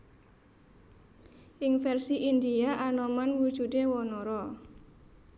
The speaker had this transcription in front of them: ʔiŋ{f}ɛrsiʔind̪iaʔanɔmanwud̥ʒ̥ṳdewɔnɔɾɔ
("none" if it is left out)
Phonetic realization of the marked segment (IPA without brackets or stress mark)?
f